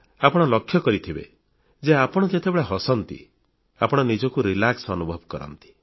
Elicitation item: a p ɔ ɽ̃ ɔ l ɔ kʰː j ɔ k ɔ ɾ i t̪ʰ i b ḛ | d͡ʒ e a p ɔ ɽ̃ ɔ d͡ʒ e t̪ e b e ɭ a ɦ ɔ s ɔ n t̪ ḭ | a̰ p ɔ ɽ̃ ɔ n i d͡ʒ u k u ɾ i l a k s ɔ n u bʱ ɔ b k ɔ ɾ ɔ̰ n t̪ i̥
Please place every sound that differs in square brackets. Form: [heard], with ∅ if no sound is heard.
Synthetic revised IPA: a p ɔ ɽ̃ ɔ l ɔ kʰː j ɔ k ɔ ɾ i t̪ʰ i b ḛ | d͡ʒ e a p ɔ ɽ̃ ɔ d͡ʒ e t̪ e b e ɭ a ɦ ɔ s ɔ n t̪ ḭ | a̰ p ɔ ɽ̃ ɔ n i d͡ʒ [ɔ] k u ɾ i l a k s ɔ n u bʱ ɔ b k ɔ ɾ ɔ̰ n t̪ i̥